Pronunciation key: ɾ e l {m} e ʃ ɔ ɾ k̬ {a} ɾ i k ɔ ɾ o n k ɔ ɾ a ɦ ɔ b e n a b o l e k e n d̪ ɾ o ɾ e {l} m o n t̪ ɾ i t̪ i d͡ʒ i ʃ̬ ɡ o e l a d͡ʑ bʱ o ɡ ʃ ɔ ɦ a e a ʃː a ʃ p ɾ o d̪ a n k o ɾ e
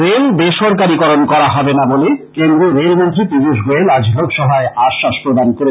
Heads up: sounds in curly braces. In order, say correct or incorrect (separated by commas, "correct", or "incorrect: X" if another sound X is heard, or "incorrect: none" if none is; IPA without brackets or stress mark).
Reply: incorrect: b, correct, correct